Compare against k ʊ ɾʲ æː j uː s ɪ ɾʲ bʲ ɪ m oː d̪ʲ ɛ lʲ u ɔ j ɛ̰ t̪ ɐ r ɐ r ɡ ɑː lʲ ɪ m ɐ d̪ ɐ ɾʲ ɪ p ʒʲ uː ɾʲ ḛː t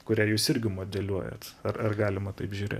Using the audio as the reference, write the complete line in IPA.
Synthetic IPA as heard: k ʊ ɾʲ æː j uː s ɪ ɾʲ ɡʲ ɪ m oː d̪ʲ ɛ lʲ u ɔ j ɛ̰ t̪ ɐ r ɐ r ɡ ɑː lʲ ɪ m ɐ t̪ ɐ ɪ p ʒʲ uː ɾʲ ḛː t